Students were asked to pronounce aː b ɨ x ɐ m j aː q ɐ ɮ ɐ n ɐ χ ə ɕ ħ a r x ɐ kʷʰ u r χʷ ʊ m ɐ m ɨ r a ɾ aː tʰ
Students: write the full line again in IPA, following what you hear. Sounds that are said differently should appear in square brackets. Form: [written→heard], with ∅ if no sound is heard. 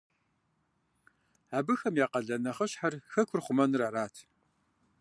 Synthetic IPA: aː b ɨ x ɐ m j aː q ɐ ɮ ɐ n ɐ χ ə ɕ ħ a r x ɐ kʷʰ [u→ʊ] r χʷ ʊ m ɐ [m→n] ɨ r a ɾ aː tʰ